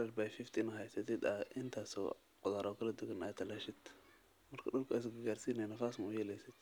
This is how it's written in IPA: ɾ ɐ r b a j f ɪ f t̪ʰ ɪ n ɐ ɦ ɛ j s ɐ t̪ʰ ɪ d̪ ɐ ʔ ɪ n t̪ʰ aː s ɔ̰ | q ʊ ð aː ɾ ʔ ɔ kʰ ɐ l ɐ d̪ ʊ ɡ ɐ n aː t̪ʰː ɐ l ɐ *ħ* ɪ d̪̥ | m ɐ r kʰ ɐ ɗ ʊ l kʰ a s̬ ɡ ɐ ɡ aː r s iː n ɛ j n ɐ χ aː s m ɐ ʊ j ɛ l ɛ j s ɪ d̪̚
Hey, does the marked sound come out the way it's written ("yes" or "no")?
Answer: no